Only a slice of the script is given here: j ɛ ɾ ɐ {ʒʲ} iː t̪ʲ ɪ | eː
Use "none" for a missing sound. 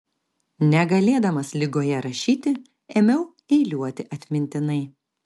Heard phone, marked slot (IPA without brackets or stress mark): ʃʲ